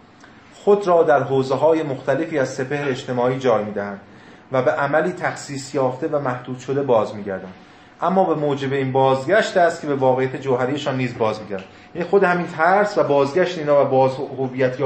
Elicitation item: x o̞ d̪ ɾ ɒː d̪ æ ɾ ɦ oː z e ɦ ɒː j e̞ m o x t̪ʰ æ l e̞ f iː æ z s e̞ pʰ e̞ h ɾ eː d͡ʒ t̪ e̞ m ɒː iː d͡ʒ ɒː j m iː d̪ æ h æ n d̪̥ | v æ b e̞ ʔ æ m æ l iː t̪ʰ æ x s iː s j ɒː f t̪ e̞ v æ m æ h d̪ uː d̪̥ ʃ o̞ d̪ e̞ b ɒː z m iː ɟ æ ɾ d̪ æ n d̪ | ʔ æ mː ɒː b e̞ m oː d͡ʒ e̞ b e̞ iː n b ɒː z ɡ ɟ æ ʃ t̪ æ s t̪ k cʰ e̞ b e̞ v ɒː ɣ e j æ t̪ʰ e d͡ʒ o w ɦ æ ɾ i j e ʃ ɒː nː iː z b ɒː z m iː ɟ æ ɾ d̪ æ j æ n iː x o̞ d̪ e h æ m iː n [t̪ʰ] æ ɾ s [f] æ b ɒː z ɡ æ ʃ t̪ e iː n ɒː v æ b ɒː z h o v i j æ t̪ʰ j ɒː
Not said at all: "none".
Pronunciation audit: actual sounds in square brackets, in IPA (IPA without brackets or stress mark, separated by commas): t̪ʰ, v